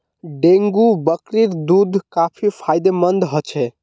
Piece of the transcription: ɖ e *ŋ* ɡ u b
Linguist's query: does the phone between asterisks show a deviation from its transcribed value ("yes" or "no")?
no